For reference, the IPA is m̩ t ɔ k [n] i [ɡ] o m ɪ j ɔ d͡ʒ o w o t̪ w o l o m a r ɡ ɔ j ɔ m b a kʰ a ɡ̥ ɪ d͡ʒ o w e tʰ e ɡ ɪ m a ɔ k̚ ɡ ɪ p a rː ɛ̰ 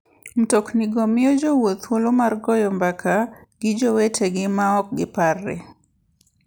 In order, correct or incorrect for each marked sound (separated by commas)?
correct, correct